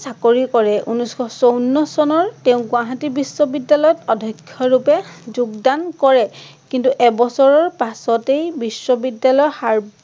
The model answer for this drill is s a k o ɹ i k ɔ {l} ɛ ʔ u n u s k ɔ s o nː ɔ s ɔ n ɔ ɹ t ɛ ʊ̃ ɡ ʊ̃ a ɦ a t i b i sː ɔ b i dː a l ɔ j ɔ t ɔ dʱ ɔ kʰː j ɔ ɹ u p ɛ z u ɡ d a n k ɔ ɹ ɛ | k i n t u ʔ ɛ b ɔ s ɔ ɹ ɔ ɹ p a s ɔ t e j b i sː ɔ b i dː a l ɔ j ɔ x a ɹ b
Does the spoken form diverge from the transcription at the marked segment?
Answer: yes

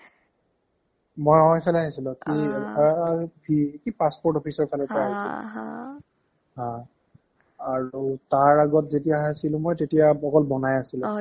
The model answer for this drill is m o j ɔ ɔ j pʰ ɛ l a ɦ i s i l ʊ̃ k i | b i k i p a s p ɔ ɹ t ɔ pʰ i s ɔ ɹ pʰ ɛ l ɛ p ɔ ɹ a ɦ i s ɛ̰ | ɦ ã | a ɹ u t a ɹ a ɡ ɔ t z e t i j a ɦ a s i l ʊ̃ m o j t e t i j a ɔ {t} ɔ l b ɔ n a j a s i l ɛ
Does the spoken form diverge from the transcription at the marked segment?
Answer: yes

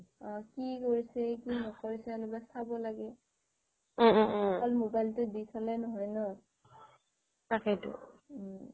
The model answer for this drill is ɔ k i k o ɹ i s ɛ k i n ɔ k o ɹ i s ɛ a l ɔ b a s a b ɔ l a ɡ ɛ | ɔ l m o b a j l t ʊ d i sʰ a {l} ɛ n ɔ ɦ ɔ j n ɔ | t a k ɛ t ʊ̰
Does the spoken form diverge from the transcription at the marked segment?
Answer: no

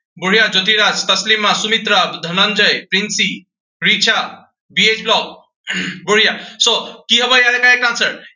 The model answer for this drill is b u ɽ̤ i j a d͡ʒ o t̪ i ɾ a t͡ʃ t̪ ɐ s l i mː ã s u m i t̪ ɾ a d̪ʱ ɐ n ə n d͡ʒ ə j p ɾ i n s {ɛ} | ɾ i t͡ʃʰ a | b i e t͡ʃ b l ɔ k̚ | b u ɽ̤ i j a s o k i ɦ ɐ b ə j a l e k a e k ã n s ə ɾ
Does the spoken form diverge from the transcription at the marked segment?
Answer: yes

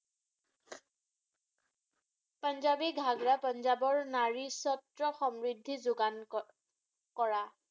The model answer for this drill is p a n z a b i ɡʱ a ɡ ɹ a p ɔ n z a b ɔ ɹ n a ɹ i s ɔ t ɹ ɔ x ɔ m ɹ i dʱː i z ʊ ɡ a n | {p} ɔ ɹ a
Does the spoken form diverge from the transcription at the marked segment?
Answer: yes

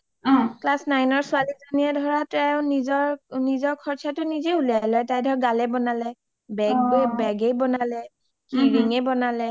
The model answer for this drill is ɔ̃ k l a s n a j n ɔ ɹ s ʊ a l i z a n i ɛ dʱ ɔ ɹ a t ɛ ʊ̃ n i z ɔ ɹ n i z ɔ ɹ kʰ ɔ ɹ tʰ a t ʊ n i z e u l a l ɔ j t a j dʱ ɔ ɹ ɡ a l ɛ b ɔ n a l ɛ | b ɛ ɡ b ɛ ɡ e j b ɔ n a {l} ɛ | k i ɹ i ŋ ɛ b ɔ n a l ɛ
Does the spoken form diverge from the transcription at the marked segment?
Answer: no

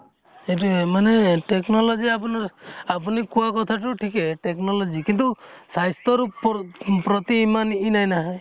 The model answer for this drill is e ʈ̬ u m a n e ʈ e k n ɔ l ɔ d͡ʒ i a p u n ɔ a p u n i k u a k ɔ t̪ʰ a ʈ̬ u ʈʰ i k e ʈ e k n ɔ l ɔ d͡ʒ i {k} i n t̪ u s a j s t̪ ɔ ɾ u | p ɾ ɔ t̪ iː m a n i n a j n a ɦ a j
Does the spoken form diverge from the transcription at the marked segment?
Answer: no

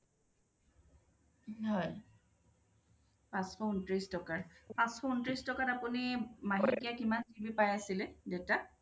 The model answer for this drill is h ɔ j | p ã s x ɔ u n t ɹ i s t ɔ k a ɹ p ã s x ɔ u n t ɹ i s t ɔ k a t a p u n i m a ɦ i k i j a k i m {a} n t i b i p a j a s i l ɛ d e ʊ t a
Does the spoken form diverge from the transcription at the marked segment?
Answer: no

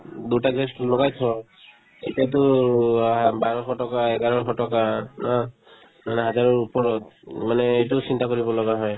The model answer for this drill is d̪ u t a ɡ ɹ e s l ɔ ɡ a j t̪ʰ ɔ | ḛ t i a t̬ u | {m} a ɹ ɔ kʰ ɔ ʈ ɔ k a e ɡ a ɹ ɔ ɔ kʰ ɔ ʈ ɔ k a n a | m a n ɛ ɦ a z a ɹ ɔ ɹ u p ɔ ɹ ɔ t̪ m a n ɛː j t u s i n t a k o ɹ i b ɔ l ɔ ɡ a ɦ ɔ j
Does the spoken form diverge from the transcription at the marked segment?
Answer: yes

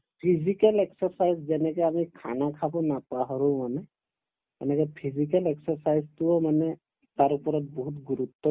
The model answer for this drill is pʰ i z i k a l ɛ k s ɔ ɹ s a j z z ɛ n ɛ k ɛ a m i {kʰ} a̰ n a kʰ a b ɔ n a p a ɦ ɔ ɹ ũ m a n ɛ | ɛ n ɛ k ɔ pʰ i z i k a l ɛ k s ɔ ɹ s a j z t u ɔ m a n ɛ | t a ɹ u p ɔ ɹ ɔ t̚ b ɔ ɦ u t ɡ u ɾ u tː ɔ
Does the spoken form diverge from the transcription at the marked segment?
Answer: no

